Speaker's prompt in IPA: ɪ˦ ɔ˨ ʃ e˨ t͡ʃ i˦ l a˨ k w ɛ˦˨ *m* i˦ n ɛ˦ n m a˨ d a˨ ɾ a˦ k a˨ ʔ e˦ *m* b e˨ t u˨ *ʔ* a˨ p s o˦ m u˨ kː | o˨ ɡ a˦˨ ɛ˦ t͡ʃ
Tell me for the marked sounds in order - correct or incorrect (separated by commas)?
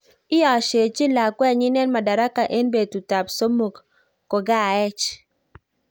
incorrect, incorrect, incorrect